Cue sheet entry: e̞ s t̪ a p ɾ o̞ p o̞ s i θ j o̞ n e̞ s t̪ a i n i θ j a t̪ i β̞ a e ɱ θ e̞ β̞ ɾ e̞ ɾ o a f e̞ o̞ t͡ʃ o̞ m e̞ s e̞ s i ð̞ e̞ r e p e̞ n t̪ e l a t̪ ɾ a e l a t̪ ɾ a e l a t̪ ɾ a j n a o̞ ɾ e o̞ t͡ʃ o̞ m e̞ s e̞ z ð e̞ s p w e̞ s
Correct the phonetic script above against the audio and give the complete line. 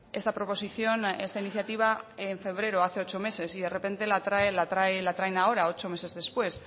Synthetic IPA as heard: e̞ s t̪ a p ɾ o̞ p o̞ s i θ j o̞ n e̞ s t̪ a i n i θ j a t̪ i β̞ a e ɱ f e̞ β̞ ɾ e̞ ɾ o a θ e̞ o̞ t͡ʃ o̞ m e̞ s e̞ s i ð̞ e̞ r e p e̞ n t̪ e l a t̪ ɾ a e l a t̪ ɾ a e l a t̪ ɾ a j n a o̞ ɾ a o̞ t͡ʃ o̞ m e̞ s e̞ z ð e̞ s p w e̞ s